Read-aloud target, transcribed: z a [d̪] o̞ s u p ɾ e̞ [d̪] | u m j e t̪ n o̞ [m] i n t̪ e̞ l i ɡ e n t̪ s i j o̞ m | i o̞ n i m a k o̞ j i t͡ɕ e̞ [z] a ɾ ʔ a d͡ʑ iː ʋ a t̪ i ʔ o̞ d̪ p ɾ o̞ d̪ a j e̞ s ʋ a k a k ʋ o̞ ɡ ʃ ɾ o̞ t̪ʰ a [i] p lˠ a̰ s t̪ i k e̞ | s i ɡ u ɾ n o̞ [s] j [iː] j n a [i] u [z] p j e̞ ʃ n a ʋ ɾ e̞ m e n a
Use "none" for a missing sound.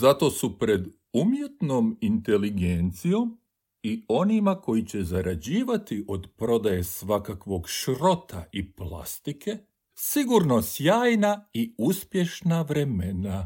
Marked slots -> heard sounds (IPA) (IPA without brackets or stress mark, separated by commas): t̪, d̪, m, z, i, s, aː, i, s